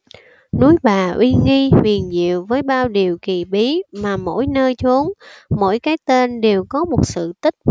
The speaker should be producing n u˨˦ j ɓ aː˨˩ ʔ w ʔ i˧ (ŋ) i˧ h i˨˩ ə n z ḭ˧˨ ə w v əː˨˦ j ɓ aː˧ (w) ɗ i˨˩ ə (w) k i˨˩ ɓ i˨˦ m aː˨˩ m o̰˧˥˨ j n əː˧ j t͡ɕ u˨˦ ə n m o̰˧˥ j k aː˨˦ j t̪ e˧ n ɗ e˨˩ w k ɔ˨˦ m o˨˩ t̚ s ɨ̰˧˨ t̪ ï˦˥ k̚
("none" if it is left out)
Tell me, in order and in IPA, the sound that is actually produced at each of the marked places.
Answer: ŋ, w, w

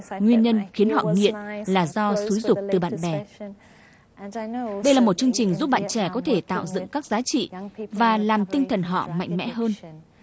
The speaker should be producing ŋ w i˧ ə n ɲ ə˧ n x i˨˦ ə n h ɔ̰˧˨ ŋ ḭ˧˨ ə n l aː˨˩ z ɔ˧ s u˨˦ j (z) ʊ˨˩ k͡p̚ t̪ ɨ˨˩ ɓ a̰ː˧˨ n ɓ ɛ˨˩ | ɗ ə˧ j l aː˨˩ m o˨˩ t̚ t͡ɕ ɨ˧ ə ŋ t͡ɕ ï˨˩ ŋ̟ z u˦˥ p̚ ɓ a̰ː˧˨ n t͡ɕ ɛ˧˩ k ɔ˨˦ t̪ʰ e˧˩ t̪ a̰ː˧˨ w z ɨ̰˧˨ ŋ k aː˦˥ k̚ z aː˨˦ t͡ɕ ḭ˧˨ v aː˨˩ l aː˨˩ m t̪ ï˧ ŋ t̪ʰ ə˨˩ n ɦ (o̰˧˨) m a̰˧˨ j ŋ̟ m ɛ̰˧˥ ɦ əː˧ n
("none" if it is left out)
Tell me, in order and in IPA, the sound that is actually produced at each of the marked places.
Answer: z, ɔ̰˧˨

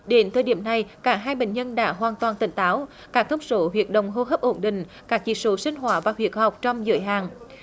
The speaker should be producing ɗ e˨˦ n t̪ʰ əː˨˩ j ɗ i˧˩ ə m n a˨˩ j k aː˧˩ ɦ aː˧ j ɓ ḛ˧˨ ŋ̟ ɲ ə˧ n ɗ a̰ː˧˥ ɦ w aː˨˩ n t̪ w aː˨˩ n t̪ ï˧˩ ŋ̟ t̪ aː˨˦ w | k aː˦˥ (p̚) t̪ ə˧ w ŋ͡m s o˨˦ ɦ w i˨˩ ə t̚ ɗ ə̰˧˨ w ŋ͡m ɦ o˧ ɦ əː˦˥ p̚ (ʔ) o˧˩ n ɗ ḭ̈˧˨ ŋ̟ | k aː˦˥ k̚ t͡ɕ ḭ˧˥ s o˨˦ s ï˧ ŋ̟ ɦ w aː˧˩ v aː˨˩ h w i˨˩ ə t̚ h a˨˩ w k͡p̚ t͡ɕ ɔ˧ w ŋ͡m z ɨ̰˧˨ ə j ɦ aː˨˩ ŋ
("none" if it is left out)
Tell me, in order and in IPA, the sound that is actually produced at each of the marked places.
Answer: k̚, ʔ

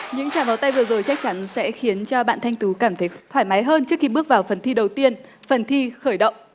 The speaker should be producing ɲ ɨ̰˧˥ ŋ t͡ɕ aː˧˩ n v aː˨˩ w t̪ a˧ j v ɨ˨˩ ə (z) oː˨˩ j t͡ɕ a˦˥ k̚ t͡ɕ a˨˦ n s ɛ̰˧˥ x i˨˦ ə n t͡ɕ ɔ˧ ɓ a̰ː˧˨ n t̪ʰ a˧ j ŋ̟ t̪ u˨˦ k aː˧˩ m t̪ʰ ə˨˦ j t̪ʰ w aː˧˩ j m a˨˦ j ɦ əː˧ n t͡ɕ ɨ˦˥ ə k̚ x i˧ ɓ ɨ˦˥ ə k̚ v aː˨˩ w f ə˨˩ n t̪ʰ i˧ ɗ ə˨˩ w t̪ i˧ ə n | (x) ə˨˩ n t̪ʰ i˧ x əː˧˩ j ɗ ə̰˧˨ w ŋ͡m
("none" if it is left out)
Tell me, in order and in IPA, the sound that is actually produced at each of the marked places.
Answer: z, f

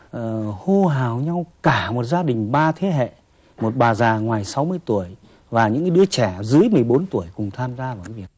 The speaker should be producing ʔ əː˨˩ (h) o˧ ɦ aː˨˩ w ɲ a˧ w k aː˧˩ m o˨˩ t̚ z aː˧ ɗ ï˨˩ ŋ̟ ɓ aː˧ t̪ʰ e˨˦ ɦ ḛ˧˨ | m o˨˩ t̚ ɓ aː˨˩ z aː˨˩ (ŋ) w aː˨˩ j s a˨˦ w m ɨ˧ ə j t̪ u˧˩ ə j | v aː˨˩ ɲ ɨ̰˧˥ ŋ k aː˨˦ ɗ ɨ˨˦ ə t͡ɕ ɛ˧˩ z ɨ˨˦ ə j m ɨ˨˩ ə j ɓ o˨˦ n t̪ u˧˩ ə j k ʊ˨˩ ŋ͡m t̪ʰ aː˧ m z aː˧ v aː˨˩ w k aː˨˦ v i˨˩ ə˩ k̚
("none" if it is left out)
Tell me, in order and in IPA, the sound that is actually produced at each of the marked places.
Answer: h, ŋ

